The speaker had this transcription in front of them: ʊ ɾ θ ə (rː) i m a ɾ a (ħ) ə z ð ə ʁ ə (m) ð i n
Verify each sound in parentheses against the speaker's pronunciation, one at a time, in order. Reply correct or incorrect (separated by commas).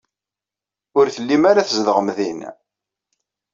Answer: incorrect, incorrect, correct